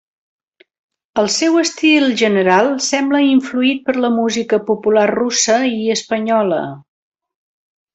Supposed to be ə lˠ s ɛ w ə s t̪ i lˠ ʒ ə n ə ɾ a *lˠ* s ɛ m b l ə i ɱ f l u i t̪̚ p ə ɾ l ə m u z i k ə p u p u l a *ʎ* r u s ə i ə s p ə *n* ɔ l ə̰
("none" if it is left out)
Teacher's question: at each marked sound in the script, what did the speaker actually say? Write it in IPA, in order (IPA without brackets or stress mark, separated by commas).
lˠ, r, ɲ